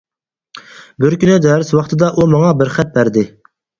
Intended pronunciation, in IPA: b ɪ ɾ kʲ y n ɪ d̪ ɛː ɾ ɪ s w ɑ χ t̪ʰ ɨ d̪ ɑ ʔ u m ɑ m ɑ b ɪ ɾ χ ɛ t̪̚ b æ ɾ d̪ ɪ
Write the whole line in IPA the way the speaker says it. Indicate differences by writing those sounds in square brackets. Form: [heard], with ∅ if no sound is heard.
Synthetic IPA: b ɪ ɾ kʲ y n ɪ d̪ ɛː ɾ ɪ s w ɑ χ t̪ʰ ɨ d̪ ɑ ʔ u m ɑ [ŋ] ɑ b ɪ ɾ χ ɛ t̪̚ b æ ɾ d̪ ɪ